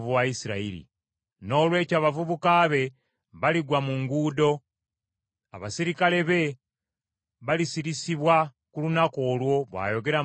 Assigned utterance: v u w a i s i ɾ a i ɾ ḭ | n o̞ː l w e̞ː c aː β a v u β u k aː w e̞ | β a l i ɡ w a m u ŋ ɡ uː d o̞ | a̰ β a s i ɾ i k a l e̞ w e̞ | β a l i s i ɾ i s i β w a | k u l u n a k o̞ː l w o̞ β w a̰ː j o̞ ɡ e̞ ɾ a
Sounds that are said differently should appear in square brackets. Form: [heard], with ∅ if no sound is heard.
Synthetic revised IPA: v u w a i s i ɾ a i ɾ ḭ | n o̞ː l w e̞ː c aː β a v u β u k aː [β] e̞ | β a l i ɡ w a m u ŋ ɡ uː d o̞ | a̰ β a s i ɾ i k a l e̞ [β] e̞ | β a l i s i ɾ i s i β w a | k u l u n a k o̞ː l w o̞ β w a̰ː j o̞ ɡ e̞ ɾ a